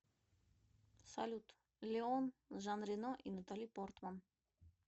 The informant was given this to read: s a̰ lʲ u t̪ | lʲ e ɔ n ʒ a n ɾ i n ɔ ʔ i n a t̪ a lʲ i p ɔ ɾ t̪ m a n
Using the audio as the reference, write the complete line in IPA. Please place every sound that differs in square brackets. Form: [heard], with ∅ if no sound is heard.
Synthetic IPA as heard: s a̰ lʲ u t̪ | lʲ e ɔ n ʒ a n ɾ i n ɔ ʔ i n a t̪ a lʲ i p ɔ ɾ t̪ m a n